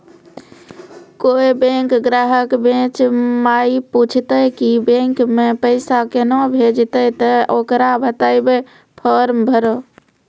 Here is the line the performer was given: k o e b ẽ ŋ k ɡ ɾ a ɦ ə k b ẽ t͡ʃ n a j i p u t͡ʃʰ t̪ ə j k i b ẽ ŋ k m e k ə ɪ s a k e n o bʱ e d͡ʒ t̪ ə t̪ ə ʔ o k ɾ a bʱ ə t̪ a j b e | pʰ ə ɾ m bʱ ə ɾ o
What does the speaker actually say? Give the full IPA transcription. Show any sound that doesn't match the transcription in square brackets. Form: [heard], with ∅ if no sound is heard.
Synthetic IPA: k o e b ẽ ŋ k ɡ ɾ a ɦ ə k b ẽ t͡ʃ [m] a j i p u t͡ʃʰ t̪ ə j k i b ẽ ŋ k m e [p] ə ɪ s a k e n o bʱ e d͡ʒ t̪ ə t̪ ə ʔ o k ɾ a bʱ ə t̪ a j b e | pʰ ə ɾ m bʱ ə ɾ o